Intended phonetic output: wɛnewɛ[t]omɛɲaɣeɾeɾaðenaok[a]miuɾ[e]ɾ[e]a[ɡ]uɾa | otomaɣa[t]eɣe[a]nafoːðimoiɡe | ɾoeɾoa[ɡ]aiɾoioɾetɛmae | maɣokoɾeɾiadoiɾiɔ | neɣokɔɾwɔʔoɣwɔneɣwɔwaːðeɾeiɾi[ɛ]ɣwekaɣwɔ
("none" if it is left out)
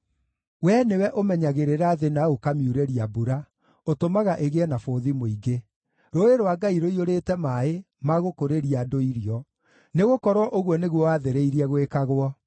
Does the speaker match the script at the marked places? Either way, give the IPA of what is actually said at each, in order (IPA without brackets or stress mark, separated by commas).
ʔ, a, e, i, b, ʔ, ɛ, ɡ, ɛ